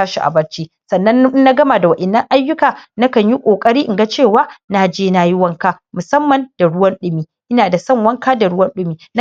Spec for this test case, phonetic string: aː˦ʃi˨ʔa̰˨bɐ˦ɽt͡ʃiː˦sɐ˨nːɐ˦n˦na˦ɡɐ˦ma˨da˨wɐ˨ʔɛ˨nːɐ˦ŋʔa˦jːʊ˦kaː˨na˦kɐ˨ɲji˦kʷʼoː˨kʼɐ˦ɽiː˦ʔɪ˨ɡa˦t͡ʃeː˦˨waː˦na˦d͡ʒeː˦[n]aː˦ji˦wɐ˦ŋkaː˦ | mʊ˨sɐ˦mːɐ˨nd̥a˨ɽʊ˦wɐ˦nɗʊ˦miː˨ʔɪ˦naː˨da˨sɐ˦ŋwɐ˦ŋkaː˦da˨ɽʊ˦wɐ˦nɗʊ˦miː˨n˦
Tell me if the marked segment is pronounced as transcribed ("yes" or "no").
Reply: yes